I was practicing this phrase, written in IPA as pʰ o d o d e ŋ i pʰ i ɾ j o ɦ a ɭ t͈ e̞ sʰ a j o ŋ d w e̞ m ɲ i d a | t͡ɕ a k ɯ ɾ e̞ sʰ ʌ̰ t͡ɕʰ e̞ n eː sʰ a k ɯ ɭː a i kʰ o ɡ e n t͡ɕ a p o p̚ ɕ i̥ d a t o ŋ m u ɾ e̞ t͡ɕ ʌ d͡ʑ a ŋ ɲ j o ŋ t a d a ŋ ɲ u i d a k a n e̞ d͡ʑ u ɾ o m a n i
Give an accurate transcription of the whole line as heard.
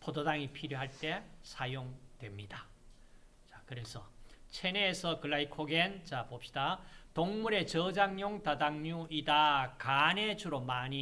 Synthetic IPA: pʰ o d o d a ŋ i pʰ i ɾ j o ɦ a ɭ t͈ e̞ sʰ a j o ŋ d w e̞ m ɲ i d a | t͡ɕ a k ɯ ɾ e̞ sʰ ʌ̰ t͡ɕʰ e̞ n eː sʰ ʌ k ɯ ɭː a i kʰ o ɡ e n t͡ɕ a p o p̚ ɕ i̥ d a t o ŋ m u ɾ e̞ t͡ɕ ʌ d͡ʑ a ŋ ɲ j o ŋ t a d a ŋ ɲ u i d a k a n e̞ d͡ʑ u ɾ o m a ɲ i